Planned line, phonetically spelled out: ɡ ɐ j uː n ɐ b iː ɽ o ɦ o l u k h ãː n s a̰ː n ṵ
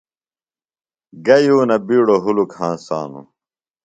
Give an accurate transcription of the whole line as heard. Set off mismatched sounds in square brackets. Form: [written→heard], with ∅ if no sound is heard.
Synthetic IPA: ɡ ɐ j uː n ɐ b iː ɽ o ɦ [o→u] l u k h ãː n s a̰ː n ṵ